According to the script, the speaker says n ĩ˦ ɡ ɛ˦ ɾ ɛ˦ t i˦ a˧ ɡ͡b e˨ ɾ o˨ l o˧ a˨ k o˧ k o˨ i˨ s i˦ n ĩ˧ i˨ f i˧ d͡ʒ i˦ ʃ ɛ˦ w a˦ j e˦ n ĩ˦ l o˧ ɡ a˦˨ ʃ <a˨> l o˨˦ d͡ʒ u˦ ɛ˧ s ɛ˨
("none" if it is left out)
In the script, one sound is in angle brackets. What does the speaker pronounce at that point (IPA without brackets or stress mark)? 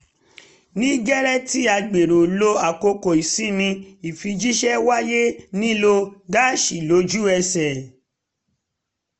i˨